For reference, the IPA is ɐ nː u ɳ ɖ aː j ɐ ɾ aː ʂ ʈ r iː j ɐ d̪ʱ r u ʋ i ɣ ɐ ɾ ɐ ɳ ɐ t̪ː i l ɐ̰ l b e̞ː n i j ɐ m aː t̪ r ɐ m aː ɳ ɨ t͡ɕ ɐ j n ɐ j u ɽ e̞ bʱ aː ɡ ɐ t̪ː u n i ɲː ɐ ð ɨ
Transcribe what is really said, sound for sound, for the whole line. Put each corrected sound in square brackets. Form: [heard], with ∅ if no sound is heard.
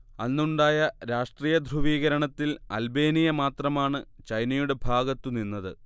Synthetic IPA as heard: ɐ nː u ɳ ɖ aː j ɐ ɾ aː ʂ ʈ r iː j ɐ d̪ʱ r u ʋ [iː] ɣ ɐ ɾ ɐ ɳ ɐ t̪ː i l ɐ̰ l b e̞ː n i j ɐ m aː t̪ r ɐ m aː ɳ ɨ t͡ɕ ɐ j n ɐ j u ɽ e̞ bʱ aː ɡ ɐ t̪ː u n i [nː] ɐ ð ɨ